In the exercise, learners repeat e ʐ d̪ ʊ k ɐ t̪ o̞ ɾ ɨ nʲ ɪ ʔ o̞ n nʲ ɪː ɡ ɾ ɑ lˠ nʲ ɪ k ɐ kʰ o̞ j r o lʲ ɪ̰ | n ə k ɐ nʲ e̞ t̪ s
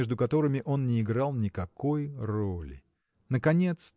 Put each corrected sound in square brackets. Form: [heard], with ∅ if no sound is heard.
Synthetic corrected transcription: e ʐ d̪ ʊ k ɐ t̪ o̞ ɾ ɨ [mʲ] ɪ ʔ o̞ n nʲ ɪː ɡ ɾ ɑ lˠ nʲ ɪ k ɐ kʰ o̞ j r o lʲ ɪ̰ | n ə k ɐ nʲ e̞ t̪ s